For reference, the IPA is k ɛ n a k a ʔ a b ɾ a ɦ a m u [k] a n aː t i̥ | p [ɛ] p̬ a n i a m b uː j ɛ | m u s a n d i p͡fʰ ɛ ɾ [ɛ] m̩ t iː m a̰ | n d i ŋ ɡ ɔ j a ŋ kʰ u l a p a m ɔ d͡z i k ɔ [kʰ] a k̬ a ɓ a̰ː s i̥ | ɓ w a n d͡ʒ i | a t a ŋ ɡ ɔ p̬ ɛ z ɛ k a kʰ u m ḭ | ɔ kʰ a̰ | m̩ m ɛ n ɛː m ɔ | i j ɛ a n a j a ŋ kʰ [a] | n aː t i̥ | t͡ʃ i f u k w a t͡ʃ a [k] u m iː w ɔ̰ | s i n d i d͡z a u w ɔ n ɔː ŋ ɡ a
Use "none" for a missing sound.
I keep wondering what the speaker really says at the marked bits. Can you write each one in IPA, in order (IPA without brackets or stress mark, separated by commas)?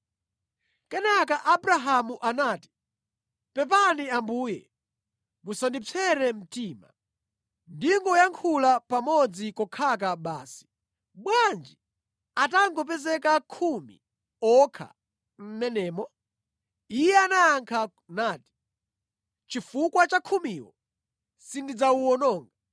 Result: ʔ, ɛ, ɛ, kʰ, a, kʰ